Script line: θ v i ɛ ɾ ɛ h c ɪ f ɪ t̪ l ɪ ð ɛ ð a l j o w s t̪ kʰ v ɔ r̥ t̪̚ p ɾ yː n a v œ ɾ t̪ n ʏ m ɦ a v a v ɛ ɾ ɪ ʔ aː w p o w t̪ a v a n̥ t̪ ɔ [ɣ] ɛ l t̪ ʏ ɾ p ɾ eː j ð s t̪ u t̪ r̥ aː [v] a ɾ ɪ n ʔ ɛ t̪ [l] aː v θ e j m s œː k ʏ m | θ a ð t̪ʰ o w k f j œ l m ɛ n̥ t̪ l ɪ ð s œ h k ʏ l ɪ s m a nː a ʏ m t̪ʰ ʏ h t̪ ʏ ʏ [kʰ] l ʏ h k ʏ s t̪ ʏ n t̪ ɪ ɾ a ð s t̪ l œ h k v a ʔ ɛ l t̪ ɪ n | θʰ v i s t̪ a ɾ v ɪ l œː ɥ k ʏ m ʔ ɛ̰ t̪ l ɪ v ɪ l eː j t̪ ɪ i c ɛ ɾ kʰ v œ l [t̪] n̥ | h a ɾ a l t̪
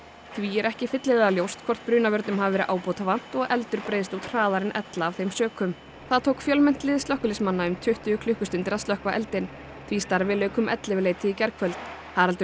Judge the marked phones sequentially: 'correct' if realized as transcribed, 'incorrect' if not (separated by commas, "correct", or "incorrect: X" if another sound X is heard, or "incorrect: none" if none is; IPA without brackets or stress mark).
correct, incorrect: ð, correct, correct, correct